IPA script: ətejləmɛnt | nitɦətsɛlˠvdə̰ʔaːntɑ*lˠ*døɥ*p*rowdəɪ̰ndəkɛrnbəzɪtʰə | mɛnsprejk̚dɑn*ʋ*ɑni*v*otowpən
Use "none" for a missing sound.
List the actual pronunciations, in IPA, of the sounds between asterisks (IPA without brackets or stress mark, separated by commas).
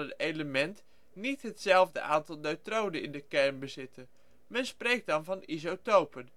lˠ, t, v, z